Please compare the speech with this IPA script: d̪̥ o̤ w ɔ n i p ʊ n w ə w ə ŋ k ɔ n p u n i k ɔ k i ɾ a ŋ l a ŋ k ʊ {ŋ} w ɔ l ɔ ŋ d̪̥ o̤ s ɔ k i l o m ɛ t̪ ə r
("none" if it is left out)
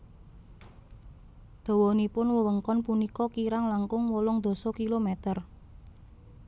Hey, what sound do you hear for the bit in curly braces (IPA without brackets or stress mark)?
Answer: ŋ